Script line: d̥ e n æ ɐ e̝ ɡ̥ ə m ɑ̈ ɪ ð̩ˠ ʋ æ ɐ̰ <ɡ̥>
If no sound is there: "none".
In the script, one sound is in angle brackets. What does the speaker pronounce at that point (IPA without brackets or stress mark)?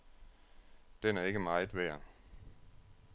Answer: none